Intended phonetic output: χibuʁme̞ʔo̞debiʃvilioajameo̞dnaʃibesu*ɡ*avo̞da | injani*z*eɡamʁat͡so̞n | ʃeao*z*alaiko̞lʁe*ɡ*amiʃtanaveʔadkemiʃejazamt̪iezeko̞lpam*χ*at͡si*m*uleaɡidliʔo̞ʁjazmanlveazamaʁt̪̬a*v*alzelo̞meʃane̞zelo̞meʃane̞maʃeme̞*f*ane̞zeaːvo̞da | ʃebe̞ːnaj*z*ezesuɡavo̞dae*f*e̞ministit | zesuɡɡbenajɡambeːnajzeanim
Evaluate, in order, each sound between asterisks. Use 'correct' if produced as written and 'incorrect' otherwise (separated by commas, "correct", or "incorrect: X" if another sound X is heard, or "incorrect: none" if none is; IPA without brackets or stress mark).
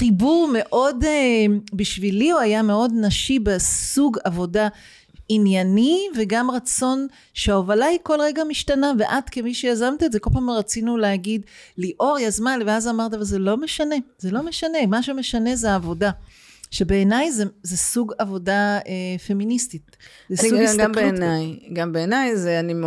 correct, incorrect: v, incorrect: v, correct, incorrect: ʁ, incorrect: n, correct, incorrect: ʃ, correct, correct